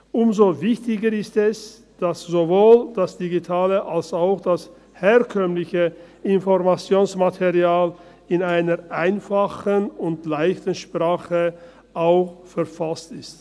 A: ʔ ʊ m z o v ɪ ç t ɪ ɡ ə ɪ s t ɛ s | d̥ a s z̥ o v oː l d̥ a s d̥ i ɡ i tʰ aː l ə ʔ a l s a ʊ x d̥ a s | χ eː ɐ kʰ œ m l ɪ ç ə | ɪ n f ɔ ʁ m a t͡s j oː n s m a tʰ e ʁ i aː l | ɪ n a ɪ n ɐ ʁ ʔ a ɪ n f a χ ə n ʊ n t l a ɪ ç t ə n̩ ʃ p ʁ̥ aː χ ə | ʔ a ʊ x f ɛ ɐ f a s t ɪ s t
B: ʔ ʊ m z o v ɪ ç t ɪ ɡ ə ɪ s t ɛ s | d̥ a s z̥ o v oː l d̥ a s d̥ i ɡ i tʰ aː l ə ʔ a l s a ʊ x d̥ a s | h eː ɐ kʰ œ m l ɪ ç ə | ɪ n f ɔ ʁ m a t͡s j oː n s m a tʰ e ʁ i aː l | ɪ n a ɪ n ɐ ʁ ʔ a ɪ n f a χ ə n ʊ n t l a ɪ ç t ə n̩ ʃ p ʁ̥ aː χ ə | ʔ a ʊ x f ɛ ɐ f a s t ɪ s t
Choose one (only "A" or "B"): B